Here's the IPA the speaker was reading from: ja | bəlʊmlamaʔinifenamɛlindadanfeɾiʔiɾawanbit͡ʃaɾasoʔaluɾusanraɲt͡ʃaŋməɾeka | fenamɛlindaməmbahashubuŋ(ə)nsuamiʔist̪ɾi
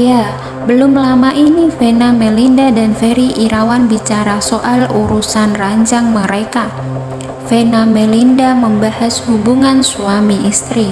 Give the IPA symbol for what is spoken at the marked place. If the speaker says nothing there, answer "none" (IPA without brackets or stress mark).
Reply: a